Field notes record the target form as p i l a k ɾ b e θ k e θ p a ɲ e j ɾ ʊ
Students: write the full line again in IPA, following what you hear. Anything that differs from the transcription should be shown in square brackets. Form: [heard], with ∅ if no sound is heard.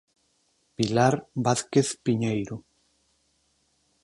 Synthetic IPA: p i l a [∅] ɾ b [a] θ k e θ p [i] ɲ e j ɾ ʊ